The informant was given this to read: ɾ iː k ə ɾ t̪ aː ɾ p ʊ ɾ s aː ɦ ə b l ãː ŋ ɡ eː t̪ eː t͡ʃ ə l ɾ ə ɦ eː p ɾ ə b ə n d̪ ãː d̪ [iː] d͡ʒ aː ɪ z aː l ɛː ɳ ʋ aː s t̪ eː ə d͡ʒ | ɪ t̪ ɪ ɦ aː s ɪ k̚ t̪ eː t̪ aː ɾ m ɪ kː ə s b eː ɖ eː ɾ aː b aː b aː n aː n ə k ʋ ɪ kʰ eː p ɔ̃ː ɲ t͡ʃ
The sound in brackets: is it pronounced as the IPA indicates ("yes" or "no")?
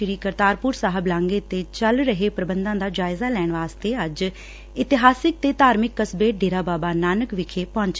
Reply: no